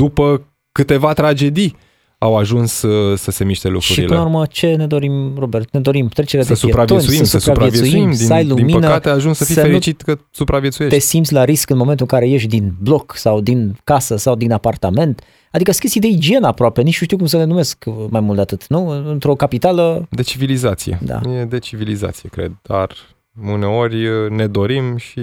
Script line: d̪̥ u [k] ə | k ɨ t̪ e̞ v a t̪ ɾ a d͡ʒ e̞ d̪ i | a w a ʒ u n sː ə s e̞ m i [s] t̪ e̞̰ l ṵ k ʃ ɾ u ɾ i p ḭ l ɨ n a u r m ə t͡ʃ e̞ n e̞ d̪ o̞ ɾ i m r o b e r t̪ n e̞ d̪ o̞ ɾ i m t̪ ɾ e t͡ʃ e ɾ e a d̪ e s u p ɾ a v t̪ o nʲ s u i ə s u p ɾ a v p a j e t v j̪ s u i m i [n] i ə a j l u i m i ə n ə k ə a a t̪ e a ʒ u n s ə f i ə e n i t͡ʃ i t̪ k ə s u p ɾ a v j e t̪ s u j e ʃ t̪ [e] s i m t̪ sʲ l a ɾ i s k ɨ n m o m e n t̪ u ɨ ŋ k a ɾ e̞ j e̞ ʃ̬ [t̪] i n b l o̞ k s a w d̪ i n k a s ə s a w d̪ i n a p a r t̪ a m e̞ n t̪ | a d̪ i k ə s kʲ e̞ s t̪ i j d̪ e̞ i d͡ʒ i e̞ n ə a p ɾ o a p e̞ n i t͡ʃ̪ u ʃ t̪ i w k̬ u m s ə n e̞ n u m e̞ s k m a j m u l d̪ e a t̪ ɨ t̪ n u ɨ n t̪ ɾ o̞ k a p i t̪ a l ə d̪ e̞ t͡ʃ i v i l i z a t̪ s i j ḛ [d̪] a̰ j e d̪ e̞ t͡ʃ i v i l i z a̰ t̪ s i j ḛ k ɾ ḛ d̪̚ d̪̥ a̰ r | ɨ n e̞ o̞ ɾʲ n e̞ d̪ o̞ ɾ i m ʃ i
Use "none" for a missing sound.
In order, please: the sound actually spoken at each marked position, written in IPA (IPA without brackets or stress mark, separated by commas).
p, ʃ, m, e, d̪, d̪